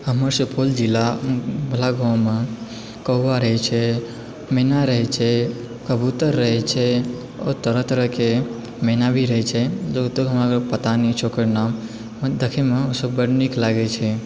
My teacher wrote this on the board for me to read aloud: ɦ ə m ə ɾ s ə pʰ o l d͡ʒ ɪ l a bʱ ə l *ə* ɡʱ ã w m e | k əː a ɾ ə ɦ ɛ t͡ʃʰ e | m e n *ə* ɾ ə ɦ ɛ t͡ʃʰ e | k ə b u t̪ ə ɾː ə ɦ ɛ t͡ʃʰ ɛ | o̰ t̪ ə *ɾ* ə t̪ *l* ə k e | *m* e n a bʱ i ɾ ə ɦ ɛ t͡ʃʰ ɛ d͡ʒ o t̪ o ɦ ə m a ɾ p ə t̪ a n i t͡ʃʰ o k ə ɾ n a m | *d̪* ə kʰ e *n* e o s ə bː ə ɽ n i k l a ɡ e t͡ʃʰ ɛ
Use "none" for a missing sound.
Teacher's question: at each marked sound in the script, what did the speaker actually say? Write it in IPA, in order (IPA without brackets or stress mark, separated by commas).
a, a, ɾ, ɾ, m, d̪, m